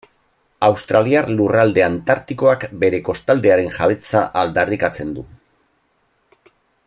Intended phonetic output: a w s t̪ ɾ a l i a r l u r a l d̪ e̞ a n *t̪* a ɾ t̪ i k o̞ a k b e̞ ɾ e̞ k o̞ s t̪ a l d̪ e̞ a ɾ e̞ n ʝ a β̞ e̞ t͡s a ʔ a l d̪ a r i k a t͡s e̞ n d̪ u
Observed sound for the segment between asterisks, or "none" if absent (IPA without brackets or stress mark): t̪